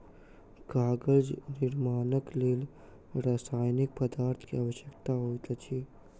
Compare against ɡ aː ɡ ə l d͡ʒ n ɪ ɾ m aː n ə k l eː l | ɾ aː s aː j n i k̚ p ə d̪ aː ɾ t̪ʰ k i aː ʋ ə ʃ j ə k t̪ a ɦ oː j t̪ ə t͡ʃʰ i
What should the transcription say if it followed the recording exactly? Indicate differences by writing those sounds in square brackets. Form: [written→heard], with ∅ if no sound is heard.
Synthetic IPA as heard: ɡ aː ɡ ə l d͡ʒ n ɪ ɾ m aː n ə k l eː l | ɾ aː s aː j n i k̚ p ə d̪ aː ɾ t̪ʰ k i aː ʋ ə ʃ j ə k t̪ a ɦ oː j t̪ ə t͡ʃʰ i